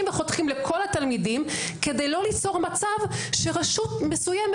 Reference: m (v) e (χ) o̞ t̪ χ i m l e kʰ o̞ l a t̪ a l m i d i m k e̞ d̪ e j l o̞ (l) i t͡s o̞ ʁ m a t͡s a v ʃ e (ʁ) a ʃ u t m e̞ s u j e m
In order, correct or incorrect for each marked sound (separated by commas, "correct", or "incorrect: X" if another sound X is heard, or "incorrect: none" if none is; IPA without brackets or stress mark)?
correct, correct, correct, correct